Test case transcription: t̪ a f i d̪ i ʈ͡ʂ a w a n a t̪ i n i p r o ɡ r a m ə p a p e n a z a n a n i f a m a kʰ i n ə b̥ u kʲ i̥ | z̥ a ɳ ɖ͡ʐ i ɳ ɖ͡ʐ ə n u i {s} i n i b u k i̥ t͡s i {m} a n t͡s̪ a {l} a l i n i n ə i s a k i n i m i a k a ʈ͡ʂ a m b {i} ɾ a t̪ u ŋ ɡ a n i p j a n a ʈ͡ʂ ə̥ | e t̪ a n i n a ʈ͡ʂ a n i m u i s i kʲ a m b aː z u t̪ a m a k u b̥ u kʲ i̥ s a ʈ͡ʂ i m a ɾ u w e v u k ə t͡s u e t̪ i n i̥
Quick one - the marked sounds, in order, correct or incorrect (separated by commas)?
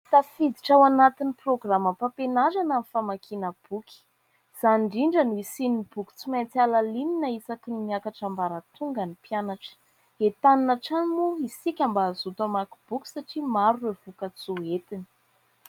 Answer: correct, correct, correct, incorrect